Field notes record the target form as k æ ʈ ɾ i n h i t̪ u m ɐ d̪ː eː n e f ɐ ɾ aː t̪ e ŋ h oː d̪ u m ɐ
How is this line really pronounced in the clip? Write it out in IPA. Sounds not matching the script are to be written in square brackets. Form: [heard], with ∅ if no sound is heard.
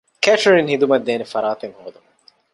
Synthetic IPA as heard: k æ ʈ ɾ i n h i [d̪] u m ɐ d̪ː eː n e f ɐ ɾ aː t̪ e ŋ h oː d̪ u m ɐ